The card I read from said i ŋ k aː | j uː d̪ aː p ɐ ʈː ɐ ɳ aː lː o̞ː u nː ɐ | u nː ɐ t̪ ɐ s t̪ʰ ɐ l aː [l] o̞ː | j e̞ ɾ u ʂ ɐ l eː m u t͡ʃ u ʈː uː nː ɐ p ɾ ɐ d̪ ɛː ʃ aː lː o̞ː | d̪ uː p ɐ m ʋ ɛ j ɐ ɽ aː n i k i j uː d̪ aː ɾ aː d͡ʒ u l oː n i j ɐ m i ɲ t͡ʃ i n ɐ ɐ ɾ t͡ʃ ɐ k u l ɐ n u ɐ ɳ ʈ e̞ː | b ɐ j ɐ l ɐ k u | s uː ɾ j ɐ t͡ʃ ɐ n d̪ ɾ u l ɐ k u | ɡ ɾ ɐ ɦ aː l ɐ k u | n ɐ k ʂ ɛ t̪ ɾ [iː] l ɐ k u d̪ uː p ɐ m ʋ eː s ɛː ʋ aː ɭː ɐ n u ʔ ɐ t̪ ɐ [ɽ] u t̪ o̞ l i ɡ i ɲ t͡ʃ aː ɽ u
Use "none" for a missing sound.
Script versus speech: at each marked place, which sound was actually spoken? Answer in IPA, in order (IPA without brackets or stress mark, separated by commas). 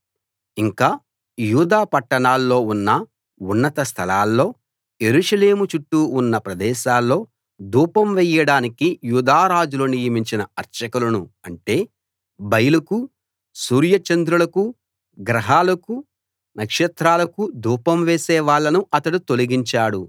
lː, aː, ɽ